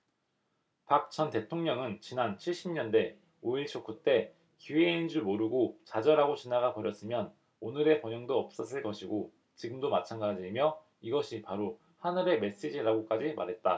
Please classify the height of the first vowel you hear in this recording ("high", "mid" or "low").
low